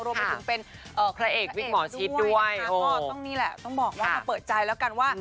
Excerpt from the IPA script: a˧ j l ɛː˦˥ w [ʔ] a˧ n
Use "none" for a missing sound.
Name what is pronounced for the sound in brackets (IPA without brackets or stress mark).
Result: k